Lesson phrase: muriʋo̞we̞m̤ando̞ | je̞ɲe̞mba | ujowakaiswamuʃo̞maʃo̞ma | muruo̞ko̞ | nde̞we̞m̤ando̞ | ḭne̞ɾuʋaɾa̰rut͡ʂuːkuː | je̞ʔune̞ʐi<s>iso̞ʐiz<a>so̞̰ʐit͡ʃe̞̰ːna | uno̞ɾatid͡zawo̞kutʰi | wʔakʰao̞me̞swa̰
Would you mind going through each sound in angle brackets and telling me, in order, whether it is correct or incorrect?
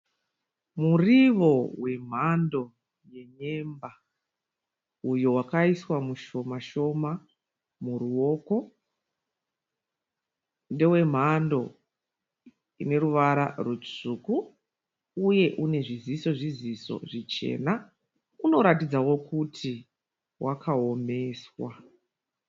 incorrect: z, incorrect: i

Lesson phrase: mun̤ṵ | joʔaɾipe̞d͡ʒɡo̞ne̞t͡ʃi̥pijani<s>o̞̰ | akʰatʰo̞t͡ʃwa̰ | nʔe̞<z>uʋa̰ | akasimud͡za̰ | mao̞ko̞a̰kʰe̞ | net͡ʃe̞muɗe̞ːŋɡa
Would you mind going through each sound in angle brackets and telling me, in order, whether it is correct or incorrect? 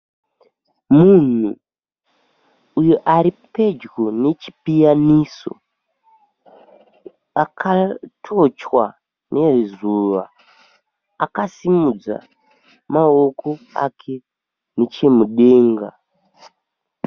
correct, correct

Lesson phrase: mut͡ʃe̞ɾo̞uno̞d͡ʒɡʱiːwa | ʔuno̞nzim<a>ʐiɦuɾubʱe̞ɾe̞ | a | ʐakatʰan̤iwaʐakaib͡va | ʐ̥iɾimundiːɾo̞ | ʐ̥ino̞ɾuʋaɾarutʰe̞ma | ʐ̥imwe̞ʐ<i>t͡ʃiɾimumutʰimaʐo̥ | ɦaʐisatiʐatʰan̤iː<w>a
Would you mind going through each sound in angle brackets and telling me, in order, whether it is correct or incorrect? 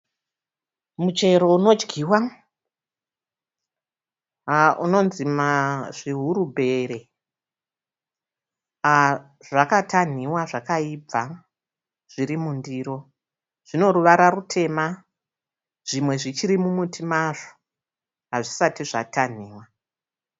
correct, correct, correct

